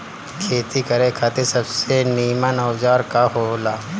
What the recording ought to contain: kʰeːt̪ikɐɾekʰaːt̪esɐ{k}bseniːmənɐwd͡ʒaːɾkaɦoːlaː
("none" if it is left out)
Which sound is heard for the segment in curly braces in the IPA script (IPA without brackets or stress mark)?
none